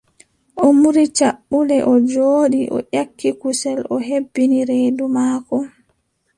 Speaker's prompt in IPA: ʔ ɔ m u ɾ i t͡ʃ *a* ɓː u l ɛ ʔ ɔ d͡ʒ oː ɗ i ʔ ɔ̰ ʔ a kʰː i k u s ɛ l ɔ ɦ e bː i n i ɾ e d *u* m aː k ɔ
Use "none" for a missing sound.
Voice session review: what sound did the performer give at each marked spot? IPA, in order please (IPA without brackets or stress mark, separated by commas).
a, u